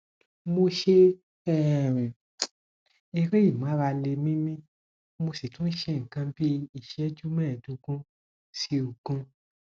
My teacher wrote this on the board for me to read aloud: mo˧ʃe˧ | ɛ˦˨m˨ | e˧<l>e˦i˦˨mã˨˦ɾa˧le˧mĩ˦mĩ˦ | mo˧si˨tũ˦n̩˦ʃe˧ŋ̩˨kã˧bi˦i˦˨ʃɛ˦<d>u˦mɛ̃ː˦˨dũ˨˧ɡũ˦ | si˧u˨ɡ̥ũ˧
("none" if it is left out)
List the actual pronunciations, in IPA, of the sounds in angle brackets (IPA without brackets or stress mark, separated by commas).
ɾ, d͡ʒ